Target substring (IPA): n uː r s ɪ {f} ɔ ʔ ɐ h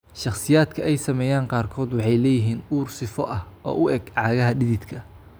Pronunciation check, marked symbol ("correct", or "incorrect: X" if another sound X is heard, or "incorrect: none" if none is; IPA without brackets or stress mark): correct